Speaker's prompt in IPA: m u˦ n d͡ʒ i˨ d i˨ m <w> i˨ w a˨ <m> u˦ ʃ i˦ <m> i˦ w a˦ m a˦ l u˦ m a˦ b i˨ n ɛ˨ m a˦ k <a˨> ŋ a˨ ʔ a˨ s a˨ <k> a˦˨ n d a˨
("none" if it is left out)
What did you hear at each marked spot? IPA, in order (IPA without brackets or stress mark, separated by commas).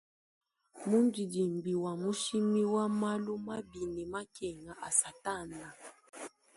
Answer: b, m, m, ɛ˨, t